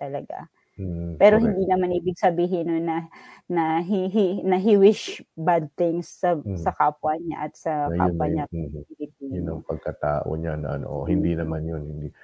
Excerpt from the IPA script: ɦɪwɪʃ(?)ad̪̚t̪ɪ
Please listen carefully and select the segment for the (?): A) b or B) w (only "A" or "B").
A